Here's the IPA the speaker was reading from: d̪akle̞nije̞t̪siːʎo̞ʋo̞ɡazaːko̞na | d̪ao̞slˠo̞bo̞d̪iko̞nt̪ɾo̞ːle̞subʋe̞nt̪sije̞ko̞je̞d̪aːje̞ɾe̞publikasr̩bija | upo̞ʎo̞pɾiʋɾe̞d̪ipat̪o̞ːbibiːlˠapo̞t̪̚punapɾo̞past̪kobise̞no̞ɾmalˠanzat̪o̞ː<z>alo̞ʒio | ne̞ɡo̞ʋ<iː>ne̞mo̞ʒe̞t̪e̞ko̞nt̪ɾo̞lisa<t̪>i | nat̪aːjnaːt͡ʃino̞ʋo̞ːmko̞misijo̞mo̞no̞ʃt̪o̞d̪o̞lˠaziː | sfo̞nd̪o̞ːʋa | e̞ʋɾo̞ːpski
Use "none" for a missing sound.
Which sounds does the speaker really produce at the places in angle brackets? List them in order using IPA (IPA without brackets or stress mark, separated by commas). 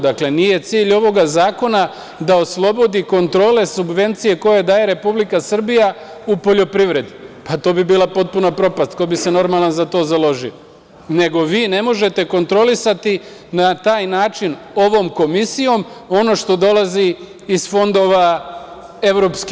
z, iː, t̪